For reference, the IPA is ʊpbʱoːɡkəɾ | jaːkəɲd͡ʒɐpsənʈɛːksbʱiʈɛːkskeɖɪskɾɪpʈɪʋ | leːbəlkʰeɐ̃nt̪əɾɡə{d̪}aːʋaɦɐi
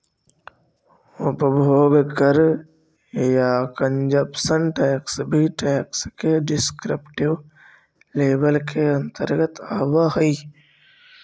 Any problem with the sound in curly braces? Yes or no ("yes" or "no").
yes